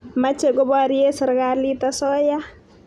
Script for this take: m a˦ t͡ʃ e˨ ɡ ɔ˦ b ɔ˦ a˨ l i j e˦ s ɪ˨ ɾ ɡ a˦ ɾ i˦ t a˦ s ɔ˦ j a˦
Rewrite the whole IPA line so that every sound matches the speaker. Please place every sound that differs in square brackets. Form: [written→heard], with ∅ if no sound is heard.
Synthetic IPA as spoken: m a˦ t͡ʃ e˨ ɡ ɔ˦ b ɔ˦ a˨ [l→ɾ] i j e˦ s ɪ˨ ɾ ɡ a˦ [ɾ→l] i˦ t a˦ s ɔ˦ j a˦